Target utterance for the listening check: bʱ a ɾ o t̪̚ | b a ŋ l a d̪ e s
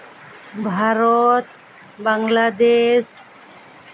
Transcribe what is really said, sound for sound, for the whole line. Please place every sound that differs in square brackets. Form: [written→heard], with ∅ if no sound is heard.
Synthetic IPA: bʱ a ɾ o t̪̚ | b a ŋ l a d̪ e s